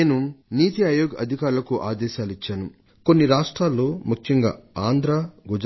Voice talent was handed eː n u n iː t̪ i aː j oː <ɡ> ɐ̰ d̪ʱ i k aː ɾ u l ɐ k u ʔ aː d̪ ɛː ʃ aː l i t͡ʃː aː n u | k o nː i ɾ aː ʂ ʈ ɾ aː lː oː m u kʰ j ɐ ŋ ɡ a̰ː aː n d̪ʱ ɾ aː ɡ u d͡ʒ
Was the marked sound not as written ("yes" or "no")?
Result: no